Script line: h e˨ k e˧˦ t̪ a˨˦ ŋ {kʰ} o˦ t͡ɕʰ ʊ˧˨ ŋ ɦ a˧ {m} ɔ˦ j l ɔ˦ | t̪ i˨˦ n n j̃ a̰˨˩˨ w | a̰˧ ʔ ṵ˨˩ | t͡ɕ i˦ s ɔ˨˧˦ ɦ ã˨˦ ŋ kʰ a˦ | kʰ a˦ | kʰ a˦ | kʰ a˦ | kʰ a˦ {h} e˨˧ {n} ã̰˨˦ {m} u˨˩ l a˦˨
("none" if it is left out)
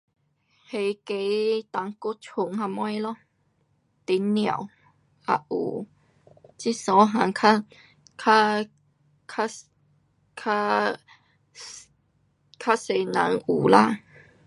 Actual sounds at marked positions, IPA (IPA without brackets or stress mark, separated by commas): k, m, s, n, ŋ